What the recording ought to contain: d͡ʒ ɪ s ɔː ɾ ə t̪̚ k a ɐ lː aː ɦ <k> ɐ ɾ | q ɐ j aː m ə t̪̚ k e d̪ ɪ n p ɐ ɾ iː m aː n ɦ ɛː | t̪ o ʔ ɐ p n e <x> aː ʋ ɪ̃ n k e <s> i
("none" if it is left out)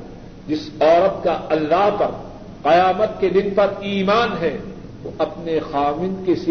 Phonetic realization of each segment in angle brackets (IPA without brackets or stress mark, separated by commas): p, x, s